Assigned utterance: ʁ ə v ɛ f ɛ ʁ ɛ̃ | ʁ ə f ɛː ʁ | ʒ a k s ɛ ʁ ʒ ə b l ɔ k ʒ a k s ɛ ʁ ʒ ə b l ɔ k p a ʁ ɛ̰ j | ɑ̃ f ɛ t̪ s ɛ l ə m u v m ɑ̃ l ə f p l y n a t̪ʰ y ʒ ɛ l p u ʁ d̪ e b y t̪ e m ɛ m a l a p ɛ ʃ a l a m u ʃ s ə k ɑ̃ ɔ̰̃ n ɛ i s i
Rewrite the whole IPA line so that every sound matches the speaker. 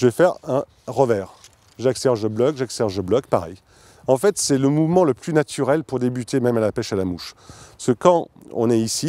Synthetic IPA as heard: ʒ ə v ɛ f ɛ ʁ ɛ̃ | ʁ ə v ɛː ʁ | ʒ a k s ɛ ʁ ʒ ə b l ɔ k ʒ a k s ɛ ʁ ʒ ə b l ɔ k p a ʁ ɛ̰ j | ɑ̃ f ɛ t̪ s ɛ l ə m u v m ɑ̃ l ə p l y n a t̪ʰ y ʁ ɛ l p u ʁ d̪ e b y t̪ e m ɛ m a l a p ɛ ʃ a l a m u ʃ s ə k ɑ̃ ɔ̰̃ n ɛ i s i